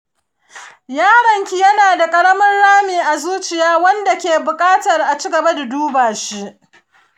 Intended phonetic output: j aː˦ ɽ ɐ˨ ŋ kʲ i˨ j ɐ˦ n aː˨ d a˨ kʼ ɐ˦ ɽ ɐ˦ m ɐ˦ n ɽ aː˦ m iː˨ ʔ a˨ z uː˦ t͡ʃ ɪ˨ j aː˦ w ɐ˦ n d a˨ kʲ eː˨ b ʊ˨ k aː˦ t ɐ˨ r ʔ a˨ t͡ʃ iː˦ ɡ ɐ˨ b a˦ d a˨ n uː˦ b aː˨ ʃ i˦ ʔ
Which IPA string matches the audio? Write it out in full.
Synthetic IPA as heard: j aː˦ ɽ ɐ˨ ŋ kʲ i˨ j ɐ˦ n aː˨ d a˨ kʼ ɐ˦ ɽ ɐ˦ m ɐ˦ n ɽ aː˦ m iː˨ ʔ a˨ z uː˦ t͡ʃ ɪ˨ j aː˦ w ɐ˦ n d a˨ kʲ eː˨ b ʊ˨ kʼ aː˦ t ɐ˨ r ʔ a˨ t͡ʃ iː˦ ɡ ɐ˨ b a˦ d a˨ d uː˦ b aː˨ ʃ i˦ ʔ